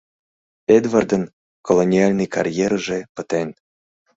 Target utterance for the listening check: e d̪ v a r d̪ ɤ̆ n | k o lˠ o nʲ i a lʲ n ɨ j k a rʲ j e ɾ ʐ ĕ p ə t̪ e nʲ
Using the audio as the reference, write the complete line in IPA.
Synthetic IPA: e d̪ v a r d̪ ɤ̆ n | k o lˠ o nʲ i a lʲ n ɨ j k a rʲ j e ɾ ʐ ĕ p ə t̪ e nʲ